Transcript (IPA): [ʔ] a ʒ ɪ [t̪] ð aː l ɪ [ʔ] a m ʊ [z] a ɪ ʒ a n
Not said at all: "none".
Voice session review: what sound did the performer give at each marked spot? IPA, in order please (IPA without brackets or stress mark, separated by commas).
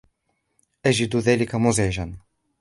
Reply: ʔ, d̪, k, z